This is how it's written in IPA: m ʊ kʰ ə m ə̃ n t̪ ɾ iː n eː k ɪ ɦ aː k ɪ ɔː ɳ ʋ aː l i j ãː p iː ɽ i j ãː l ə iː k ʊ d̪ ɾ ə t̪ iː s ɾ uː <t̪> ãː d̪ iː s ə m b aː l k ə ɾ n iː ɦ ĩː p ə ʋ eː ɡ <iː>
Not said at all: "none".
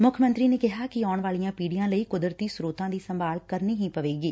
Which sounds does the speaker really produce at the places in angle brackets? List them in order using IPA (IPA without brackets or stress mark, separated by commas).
t̪, iː